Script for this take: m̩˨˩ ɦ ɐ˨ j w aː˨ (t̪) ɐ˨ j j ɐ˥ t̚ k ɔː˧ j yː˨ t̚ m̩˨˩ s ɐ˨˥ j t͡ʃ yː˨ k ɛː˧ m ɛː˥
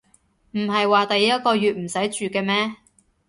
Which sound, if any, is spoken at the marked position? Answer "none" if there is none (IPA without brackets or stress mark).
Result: t̪